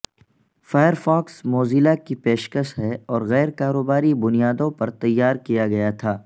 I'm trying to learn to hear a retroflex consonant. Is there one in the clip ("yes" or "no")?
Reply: no